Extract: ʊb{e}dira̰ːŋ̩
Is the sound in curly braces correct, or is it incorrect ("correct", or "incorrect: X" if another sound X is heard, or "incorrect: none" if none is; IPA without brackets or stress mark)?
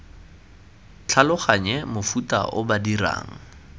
incorrect: a